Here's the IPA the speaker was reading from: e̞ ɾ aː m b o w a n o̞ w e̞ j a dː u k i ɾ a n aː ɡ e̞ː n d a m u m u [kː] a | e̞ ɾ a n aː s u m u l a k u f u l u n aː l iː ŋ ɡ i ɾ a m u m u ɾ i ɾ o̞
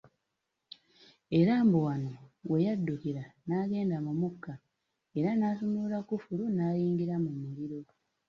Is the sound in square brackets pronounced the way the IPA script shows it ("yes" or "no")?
yes